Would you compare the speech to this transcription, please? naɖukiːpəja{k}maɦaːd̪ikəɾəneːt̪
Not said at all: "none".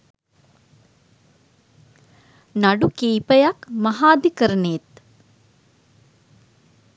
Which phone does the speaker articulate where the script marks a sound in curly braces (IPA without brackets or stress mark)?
k